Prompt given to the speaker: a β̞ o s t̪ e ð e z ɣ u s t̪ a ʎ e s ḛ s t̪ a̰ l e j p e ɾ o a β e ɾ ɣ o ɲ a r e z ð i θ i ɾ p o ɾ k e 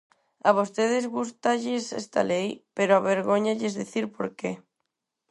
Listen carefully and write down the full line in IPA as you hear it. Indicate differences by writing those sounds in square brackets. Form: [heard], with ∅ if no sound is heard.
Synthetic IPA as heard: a β̞ o s t̪ e ð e z ɣ u s t̪ a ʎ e s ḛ s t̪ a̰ l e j p e ɾ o a β e ɾ ɣ o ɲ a [ʎ] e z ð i θ i ɾ p o ɾ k e